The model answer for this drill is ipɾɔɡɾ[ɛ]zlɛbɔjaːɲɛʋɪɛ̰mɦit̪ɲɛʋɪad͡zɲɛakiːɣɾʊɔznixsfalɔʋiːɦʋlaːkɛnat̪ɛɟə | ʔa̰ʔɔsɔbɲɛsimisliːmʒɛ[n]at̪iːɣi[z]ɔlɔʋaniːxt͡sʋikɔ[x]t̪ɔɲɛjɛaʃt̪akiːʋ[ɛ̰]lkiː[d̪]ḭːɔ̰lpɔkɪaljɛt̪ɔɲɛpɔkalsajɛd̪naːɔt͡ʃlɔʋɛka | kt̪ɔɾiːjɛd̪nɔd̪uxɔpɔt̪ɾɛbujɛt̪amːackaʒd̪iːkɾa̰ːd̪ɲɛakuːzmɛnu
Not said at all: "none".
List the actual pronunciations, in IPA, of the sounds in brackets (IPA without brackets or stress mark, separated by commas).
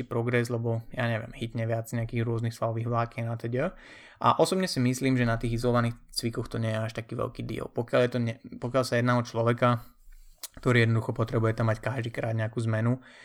ɛ, n, z, x, ɛ̰, d̪